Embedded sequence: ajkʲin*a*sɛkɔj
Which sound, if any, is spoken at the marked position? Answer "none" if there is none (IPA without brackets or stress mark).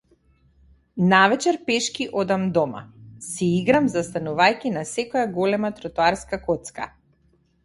a